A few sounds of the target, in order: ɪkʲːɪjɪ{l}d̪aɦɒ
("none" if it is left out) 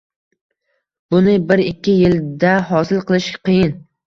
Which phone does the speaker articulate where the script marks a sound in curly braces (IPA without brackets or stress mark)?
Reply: l